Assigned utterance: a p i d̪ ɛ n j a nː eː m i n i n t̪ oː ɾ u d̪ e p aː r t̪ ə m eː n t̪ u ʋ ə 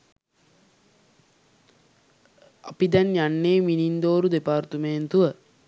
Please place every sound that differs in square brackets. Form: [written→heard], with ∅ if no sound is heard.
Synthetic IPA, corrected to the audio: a p i d̪ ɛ n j a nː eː m i n i n [t̪→d̪] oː ɾ u d̪ e p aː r t̪ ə m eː n t̪ u ʋ ə